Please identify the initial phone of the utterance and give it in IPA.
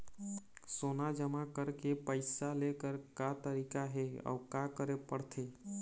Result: s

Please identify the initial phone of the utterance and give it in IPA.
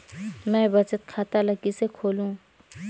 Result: m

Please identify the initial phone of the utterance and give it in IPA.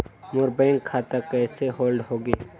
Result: m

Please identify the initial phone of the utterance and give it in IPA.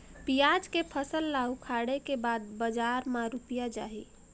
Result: p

